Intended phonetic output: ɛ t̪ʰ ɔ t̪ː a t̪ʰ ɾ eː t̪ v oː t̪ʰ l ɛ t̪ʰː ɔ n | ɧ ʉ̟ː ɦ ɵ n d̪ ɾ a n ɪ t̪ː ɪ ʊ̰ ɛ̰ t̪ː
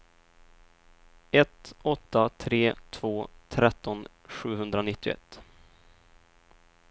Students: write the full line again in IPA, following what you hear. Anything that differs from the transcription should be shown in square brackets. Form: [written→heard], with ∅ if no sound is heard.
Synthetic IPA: ɛ [t̪ʰ→t̪] ɔ t̪ː a t̪ʰ ɾ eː [t̪→t̪ʰ] v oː t̪ʰ [l→ɾ] ɛ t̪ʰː ɔ n | ɧ ʉ̟ː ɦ ɵ n d̪ ɾ a n ɪ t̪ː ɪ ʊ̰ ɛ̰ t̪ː